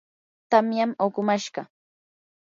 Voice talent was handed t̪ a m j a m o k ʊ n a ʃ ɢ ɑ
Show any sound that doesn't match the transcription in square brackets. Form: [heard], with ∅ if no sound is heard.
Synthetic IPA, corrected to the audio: t̪ a m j a m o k ʊ [m] a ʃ ɢ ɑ